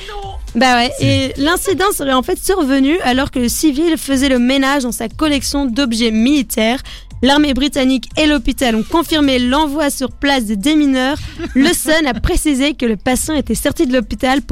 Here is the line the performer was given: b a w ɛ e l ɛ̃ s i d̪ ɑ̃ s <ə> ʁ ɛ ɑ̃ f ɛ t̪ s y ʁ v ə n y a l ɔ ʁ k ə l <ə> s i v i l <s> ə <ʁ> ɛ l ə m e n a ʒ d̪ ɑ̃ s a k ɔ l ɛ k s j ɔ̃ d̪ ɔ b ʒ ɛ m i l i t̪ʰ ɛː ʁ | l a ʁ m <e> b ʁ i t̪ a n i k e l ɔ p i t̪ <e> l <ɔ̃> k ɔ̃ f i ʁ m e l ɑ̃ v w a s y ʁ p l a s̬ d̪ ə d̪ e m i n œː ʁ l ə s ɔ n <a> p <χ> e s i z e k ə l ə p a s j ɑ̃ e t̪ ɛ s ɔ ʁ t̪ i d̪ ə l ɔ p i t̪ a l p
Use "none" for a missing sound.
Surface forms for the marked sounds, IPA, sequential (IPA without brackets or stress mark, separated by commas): ə, ə, f, z, e, a, ɔ̃, a, χ